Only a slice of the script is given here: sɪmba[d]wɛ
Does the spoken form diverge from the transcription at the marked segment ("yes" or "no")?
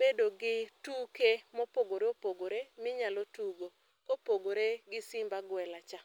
yes